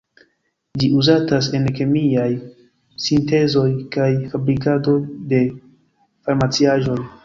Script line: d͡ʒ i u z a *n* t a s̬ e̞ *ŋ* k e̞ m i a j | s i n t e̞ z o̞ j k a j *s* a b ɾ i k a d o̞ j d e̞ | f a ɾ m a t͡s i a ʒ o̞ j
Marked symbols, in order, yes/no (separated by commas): no, no, no